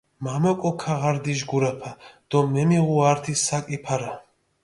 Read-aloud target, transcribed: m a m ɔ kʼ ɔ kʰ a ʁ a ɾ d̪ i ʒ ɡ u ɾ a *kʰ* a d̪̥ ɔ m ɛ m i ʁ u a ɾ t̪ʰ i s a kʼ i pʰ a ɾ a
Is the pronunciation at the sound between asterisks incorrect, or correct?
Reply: incorrect